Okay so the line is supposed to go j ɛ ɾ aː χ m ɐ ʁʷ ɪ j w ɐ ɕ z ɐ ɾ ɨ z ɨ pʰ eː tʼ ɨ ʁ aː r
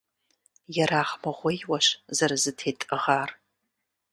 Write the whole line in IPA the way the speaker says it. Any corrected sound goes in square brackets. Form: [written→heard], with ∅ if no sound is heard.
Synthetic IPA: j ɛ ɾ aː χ m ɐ ʁʷ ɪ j w ɐ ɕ z ɐ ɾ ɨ z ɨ [pʰ→tʰ] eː tʼ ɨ ʁ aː r